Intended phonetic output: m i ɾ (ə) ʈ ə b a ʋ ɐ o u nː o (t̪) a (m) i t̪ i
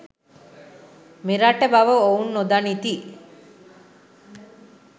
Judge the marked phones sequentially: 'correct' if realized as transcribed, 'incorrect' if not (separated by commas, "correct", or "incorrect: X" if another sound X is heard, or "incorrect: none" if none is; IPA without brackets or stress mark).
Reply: incorrect: a, incorrect: d̪, incorrect: n